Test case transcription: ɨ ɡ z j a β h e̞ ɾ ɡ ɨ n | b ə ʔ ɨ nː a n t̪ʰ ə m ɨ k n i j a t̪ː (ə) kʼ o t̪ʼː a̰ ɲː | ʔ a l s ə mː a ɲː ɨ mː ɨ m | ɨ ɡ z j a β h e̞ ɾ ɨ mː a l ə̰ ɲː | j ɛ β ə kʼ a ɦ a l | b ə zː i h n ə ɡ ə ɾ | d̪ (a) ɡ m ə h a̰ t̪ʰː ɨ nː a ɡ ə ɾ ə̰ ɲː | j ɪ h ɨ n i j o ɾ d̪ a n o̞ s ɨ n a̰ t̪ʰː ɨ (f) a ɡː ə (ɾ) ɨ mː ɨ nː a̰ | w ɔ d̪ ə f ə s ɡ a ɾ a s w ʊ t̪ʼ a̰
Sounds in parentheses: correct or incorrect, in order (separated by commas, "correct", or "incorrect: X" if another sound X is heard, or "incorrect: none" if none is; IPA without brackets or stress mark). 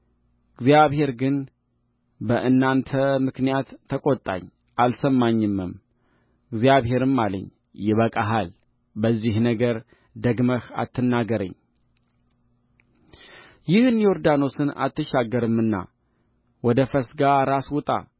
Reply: correct, incorrect: ə, incorrect: ʃ, correct